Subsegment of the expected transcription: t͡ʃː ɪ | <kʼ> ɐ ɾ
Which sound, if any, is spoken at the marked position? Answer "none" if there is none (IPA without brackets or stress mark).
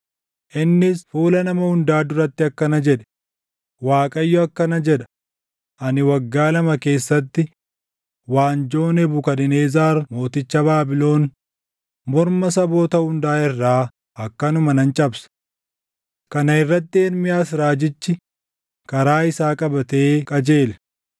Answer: k